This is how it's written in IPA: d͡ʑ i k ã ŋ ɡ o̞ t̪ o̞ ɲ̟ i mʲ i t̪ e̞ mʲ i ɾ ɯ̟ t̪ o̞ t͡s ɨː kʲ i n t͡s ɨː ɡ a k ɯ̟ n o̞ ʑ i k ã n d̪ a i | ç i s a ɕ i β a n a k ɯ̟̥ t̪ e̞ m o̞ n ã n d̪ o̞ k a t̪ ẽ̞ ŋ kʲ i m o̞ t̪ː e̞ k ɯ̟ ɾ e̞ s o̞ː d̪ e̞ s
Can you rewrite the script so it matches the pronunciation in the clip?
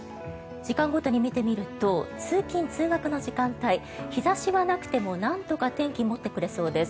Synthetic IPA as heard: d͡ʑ i k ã ŋ ɡ o̞ t̪ o̞ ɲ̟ i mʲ i t̪ e̞ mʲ i ɾ ɯ̟ t̪ o̞ t͡s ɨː kʲ ĩ n t͡s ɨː ɡ a k ɯ̟ n o̞ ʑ i k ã n t̪ a i | ç i z a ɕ i β a n a k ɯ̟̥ t̪ e̞ m o̞ n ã n t̪ o̞ k a t̪ ẽ̞ ŋ kʲ i m o̞ t̪ː e̞ k ɯ̟ ɾ e̞ s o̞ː d̪ e̞ s